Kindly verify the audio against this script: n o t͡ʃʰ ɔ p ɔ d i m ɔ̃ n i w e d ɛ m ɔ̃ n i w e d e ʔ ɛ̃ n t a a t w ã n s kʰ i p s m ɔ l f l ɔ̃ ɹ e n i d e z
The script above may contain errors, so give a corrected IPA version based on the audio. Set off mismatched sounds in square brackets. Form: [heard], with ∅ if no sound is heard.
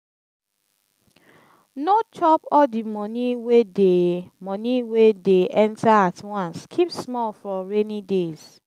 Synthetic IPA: n o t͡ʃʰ ɔ p ɔ d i m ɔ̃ n i w e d [e] m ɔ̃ n i w e d e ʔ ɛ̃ n t a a t w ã n s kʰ i p s m ɔ l f [ɹ] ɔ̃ ɹ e n i d e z